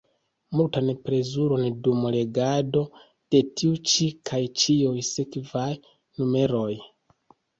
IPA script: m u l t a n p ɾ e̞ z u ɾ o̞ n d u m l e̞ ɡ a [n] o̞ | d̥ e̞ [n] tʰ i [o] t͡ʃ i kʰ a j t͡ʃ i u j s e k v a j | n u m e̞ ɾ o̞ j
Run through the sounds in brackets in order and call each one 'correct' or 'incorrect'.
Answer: incorrect: d, incorrect: none, incorrect: u

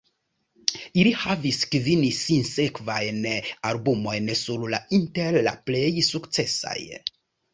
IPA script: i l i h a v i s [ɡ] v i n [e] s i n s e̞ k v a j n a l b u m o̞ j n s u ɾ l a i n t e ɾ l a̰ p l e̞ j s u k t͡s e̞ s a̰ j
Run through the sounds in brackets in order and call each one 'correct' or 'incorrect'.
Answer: incorrect: k, incorrect: i

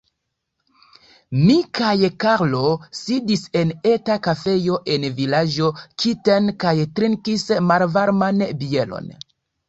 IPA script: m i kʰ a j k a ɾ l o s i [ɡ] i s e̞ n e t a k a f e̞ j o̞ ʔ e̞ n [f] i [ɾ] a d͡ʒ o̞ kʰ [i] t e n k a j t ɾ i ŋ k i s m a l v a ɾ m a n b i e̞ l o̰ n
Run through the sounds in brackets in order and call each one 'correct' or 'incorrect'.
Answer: incorrect: d, incorrect: v, incorrect: l, correct

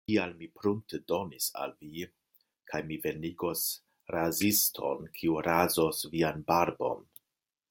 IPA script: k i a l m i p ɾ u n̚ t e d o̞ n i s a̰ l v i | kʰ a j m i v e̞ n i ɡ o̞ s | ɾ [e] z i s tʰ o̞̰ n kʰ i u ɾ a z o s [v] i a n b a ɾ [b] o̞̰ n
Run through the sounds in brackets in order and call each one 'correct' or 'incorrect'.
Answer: incorrect: a, correct, correct

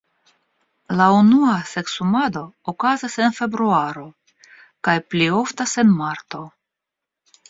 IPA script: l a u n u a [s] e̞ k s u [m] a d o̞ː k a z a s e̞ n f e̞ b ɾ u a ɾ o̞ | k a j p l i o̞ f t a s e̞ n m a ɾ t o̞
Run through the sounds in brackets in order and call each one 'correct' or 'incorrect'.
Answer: correct, correct

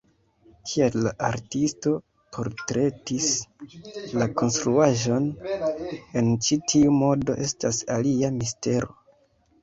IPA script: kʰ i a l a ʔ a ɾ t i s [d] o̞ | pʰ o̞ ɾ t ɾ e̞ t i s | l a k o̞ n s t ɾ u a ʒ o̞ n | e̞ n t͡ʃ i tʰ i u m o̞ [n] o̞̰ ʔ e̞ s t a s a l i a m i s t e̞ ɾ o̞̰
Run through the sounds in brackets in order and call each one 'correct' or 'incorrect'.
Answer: incorrect: t, incorrect: d

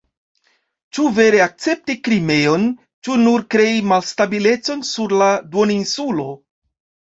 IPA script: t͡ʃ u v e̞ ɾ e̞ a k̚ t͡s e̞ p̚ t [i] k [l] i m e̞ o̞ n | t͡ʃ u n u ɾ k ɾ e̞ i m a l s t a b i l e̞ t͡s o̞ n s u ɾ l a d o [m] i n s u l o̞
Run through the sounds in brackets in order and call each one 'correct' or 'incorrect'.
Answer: correct, incorrect: ɾ, incorrect: n

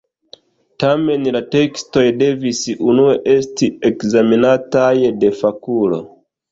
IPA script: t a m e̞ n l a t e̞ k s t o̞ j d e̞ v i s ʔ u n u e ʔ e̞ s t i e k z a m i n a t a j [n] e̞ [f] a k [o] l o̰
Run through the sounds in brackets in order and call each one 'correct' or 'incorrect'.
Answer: incorrect: d, correct, incorrect: u

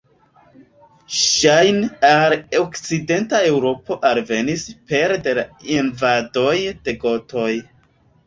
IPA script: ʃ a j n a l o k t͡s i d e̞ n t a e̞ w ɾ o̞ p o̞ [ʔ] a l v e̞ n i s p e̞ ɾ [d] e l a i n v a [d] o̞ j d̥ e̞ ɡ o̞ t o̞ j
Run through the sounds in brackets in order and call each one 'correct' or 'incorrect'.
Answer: correct, correct, correct

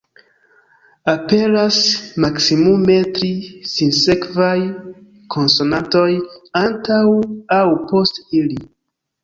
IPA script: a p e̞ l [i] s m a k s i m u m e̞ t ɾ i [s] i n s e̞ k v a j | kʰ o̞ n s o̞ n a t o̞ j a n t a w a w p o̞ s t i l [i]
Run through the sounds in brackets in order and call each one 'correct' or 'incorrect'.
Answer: incorrect: a, correct, correct

